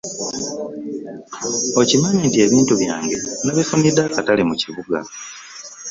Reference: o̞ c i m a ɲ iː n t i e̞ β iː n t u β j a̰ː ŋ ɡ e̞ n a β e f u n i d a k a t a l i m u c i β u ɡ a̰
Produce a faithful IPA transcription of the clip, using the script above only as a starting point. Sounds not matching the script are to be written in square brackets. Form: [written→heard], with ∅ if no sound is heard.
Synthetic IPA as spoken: o̞ c i m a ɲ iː n t i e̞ β iː n t u β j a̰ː ŋ ɡ e̞ n a β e f u n i d a k a t a l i m u c i β u ɡ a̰

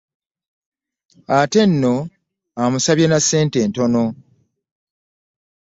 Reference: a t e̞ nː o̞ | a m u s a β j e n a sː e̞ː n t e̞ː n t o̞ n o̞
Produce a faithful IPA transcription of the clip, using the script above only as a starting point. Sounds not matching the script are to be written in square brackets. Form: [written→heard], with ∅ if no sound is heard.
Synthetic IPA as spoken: a t e̞ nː o̞ | a m u s a β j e n a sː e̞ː n t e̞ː n t o̞ n o̞

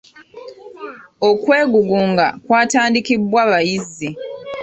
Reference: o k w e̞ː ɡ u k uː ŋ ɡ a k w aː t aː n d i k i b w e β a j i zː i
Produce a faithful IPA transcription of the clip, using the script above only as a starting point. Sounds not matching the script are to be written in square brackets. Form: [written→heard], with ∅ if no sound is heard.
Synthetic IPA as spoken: o k w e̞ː ɡ u [k→ɡ] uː ŋ ɡ a k w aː t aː n d i k i b w [e→a] β a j i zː i

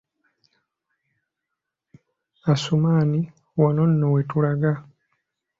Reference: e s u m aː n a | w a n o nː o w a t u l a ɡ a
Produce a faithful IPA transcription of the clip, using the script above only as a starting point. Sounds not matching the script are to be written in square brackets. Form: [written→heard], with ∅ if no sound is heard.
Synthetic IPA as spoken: [e→a] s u m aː n [a→i] | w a n o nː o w [a→e] t u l a ɡ a

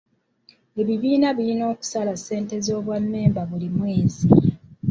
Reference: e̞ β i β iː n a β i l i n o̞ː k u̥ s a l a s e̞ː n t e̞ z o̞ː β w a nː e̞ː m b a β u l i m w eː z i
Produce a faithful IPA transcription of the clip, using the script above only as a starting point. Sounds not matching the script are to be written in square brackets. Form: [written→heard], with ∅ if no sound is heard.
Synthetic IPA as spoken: e̞ β i β iː n a β i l i n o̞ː k u̥ s a l a s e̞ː n t e̞ z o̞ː β w a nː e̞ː m b a β u l i m w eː z i

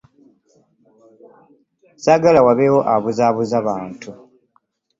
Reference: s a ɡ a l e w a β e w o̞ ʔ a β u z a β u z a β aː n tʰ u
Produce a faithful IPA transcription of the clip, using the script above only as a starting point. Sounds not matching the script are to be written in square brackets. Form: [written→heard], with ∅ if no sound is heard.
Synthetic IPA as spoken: s a ɡ a l [e→a] w a β e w o̞ ʔ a β u z a β u z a β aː n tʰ u

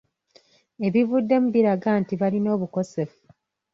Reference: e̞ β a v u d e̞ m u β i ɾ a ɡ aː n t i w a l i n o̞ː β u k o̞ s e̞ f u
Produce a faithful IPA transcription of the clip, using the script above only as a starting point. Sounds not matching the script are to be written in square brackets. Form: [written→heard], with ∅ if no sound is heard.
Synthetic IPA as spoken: e̞ β [a→i] v u [d→dː] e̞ m u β i ɾ a ɡ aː n t i [w→β] a l i n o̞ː β u k o̞ s e̞ f u

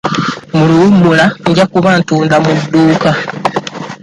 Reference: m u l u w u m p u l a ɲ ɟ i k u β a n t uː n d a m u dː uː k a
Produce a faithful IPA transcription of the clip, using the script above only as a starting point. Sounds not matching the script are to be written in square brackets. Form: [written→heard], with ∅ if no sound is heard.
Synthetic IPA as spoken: m u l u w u m [p→b] u l a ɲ ɟ [i→a] k u β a n t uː n d a m u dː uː k a

